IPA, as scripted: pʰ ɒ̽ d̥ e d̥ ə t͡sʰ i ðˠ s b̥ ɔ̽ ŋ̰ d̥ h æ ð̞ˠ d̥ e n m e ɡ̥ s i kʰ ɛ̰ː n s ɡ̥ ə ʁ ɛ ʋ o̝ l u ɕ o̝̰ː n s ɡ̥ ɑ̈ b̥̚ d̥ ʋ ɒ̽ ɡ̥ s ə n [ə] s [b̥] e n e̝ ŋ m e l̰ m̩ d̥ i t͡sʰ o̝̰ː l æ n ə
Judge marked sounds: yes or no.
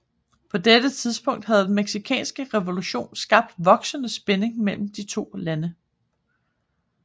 yes, yes

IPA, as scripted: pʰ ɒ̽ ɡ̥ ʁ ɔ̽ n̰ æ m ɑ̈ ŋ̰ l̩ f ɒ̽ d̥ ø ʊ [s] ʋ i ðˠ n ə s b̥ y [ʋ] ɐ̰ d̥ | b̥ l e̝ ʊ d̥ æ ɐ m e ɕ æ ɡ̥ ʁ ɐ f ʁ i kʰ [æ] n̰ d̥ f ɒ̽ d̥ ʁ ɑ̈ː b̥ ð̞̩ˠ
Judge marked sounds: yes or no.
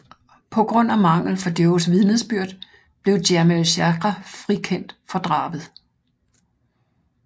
yes, no, no

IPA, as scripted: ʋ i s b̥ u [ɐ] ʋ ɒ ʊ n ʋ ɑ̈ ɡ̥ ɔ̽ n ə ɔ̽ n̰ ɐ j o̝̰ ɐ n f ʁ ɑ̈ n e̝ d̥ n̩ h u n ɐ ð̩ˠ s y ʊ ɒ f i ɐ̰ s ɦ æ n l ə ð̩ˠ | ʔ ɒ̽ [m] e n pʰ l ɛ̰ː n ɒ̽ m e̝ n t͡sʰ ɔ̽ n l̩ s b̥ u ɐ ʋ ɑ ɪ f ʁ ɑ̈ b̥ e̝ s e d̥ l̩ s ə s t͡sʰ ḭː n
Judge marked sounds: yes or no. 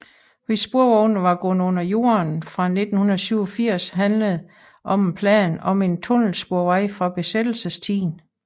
yes, yes

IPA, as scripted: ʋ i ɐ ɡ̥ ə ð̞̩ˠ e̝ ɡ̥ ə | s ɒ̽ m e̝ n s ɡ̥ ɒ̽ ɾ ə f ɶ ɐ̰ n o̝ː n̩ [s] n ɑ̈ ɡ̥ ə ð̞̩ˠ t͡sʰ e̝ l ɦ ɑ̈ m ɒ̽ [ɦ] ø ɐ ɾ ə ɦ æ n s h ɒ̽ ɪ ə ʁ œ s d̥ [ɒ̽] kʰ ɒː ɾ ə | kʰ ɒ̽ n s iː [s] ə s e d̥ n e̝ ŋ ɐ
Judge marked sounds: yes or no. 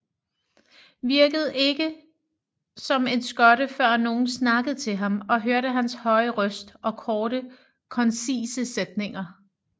yes, yes, yes, yes

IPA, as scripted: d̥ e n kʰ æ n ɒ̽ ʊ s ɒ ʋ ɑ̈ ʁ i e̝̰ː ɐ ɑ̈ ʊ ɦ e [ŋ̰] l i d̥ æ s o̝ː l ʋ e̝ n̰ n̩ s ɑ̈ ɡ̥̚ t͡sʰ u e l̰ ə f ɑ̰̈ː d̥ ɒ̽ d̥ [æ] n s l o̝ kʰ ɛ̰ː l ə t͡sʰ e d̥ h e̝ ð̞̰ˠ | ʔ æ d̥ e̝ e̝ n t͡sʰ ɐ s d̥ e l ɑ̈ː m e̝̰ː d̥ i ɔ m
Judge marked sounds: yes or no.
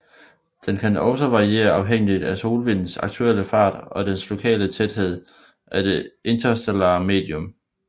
yes, no

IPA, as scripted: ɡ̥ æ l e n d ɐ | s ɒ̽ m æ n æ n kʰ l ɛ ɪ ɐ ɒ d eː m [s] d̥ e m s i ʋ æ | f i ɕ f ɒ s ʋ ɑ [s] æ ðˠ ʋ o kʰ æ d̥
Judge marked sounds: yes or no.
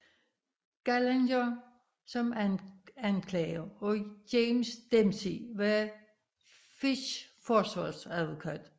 yes, yes

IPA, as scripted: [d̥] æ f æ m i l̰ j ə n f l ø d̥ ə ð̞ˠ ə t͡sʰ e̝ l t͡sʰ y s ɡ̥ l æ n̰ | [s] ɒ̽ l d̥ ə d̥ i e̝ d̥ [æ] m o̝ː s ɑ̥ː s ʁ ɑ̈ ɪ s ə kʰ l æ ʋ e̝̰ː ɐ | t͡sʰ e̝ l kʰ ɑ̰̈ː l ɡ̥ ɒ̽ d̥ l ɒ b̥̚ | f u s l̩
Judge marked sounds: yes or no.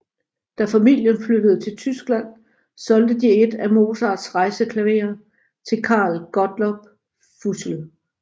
yes, yes, yes

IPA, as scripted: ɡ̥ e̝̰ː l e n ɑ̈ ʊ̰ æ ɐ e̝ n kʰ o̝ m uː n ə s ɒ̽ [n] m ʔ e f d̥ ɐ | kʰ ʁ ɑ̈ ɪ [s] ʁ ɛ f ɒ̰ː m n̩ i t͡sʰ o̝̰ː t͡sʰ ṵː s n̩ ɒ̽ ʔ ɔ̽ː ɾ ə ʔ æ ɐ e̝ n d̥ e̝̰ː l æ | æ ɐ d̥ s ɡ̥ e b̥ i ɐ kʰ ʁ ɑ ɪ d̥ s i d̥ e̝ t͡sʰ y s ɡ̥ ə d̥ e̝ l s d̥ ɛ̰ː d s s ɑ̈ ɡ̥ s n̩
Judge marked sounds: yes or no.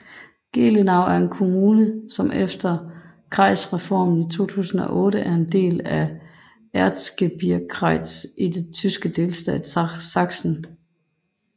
no, yes

